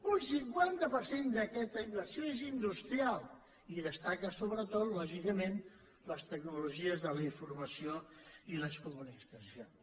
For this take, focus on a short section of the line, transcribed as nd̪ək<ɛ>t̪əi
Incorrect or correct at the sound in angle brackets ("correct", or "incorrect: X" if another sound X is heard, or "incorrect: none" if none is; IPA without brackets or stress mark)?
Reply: correct